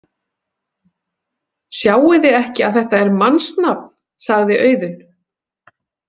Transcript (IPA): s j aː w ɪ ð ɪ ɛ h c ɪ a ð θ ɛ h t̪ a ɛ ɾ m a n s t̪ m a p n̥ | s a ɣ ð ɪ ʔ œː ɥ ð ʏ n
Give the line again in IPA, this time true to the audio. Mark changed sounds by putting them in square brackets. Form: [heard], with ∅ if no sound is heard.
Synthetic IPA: s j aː w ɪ ð ɪ ɛ h c ɪ a ð θ ɛ h t̪ a ɛ ɾ m a n s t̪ [n] a p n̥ | s a ɣ ð ɪ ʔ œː ɥ ð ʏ n

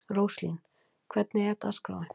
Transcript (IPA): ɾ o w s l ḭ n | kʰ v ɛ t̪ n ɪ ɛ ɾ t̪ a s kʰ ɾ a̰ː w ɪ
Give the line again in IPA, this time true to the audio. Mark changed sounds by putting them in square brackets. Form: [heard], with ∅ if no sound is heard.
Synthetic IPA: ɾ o w s l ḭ n | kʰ v ɛ t̪ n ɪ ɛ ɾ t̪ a s [k] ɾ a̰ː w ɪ

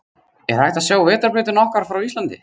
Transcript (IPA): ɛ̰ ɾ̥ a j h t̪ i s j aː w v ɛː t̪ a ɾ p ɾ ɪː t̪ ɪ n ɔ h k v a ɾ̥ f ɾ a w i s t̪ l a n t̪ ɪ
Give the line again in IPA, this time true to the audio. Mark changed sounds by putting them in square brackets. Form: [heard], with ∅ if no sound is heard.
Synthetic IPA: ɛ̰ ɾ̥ a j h t̪ [a] s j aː w v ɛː t̪ a ɾ p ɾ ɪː t̪ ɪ n ɔ h k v a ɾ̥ f ɾ a w i s t̪ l a n t̪ ɪ

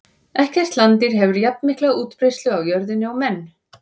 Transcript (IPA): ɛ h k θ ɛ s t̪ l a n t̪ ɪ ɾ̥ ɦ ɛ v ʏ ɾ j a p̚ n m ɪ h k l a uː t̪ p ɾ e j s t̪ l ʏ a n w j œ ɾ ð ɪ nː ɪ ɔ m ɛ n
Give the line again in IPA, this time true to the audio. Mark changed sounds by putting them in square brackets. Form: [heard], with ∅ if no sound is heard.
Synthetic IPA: ɛ h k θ ɛ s t̪ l a n t̪ ɪ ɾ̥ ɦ ɛ v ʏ ɾ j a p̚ n m ɪ h k l a uː t̪ p ɾ e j s t̪ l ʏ a [∅] w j œ ɾ ð ɪ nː ɪ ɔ m ɛ [nː]

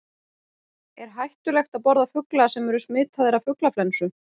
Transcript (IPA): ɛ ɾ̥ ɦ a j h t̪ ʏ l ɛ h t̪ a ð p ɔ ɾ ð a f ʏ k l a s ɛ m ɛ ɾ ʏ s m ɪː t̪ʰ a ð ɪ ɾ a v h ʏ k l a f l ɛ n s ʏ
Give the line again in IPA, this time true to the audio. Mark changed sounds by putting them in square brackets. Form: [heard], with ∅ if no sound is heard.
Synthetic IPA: ɛ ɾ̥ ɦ a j h t̪ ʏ l ɛ [x] t̪ a ð p ɔ ɾ ð a f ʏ k l a s ɛ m ɛ ɾ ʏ s m ɪː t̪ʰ a ð ɪ ɾ a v [f] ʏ k l a f l ɛ n s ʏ

